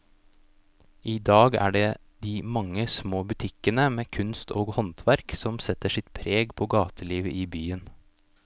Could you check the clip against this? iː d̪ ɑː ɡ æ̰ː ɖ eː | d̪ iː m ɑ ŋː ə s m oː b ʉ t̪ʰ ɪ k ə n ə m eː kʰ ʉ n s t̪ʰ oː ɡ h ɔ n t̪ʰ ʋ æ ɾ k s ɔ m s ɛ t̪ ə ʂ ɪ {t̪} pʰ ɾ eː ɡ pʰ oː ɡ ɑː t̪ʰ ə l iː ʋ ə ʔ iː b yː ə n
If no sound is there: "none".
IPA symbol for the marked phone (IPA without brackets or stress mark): t̪